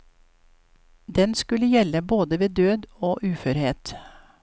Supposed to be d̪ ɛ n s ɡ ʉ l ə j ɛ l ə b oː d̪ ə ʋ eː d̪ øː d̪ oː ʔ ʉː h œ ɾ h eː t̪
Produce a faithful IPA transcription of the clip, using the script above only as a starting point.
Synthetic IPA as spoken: d̪ ɛ n s k ʉ l ə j ɛ l ə b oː d̪ ə ʋ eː d̪ øː d̪ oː ʔ ʉː f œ ɾ h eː t̪